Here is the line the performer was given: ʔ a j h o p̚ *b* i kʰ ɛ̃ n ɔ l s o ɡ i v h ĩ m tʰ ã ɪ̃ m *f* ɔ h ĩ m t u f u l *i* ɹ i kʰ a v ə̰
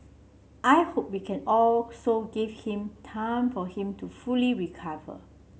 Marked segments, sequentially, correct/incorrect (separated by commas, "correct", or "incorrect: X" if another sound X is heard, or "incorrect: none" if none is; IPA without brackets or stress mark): incorrect: w, correct, correct